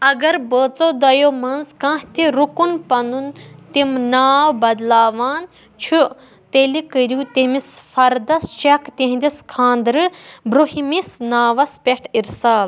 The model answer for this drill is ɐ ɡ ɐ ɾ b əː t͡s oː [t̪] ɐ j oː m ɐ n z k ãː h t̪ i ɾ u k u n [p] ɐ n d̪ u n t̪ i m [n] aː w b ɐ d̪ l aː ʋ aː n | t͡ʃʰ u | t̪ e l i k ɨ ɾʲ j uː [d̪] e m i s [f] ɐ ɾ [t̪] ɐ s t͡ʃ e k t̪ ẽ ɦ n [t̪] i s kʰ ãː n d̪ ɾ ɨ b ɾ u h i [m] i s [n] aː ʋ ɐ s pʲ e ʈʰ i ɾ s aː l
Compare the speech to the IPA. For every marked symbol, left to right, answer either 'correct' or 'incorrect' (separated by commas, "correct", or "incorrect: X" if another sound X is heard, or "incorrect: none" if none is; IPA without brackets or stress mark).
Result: incorrect: d̪, correct, correct, incorrect: t̪, correct, incorrect: d̪, incorrect: d̪, correct, correct